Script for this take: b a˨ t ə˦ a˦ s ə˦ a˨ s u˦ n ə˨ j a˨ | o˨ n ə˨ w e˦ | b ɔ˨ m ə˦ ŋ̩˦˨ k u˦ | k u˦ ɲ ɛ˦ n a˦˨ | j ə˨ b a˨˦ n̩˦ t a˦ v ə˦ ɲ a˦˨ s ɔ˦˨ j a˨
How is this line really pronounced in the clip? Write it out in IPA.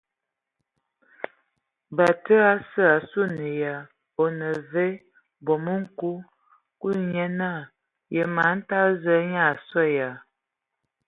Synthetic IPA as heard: b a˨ t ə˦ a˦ s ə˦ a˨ s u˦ n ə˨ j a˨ | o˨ n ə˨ v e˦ | b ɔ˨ m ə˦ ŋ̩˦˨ k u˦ | k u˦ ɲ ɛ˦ n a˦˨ | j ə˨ m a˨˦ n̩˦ t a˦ z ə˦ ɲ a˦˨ s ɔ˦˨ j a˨